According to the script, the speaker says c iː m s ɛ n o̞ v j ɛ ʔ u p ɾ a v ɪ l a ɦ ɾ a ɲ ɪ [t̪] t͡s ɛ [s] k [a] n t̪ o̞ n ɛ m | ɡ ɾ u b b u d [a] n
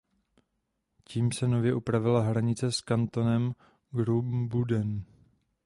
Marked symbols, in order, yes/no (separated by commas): no, yes, yes, no